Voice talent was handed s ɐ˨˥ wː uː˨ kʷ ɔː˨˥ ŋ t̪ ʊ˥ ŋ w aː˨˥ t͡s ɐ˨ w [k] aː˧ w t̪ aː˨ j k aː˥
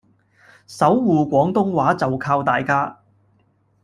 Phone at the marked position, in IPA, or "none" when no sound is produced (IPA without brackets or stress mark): kʰ